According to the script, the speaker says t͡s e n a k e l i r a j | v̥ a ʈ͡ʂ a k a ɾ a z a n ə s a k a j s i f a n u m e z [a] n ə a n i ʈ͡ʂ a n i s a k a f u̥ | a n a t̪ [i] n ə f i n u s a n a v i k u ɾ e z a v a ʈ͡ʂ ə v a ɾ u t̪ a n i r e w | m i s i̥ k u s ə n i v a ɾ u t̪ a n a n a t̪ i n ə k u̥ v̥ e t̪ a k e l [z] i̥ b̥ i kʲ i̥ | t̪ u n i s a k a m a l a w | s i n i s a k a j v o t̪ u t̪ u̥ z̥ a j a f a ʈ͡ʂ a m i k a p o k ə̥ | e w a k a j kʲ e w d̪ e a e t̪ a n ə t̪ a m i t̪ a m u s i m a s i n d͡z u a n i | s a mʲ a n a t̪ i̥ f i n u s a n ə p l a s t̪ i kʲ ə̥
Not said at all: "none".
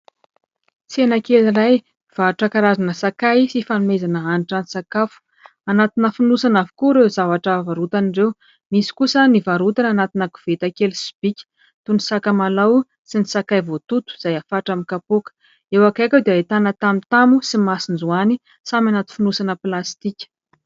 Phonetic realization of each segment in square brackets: a, i, s

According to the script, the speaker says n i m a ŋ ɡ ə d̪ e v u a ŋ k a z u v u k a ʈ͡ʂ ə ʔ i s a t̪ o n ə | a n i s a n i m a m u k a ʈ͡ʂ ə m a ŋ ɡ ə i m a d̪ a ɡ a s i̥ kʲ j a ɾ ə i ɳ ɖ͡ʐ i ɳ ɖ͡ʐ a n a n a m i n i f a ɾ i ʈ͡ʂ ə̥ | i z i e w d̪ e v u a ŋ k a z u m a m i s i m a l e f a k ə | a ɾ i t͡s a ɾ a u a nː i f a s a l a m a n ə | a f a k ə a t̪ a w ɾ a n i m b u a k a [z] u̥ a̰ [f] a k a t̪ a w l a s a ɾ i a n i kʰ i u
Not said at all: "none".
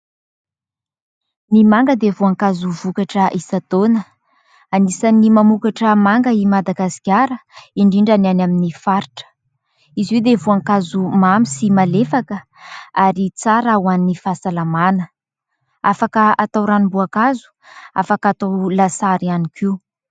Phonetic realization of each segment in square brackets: z, f

